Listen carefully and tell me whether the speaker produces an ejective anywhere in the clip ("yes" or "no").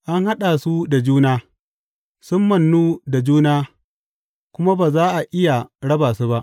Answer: no